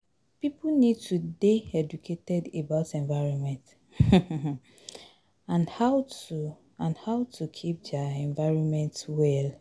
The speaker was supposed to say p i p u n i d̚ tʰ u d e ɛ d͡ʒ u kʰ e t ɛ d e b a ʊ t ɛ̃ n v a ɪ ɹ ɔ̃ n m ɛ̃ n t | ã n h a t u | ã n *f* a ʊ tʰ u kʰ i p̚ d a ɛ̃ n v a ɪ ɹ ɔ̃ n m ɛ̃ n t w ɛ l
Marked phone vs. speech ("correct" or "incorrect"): incorrect